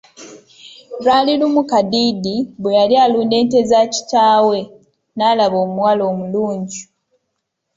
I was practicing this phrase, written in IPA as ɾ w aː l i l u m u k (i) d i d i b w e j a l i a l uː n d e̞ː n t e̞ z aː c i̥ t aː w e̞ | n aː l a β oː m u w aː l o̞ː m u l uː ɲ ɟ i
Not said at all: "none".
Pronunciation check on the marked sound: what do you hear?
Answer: a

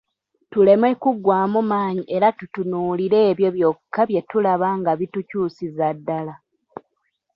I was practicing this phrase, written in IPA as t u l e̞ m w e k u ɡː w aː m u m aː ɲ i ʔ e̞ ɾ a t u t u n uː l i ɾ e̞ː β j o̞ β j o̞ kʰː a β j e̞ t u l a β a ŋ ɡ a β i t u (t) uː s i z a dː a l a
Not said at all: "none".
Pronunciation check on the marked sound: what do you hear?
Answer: c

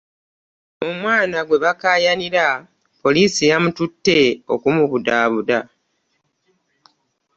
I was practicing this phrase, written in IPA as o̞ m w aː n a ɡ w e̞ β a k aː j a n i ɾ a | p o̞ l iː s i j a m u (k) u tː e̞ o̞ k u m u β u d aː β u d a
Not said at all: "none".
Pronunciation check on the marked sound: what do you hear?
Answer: t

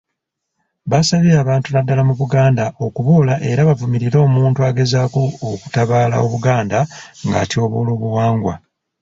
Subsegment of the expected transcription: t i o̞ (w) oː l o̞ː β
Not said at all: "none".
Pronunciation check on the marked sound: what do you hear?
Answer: β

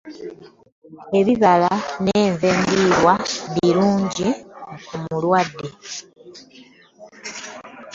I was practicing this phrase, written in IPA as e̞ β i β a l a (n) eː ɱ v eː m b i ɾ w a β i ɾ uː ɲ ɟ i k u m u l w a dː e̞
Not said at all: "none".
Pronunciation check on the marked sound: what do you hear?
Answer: n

